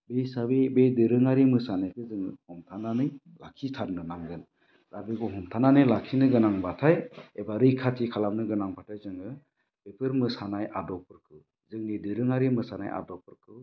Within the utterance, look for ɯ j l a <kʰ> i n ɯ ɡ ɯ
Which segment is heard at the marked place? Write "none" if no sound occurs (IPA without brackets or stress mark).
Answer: kʰ